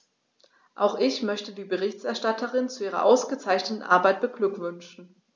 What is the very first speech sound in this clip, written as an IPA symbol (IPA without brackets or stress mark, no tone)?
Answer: ʔ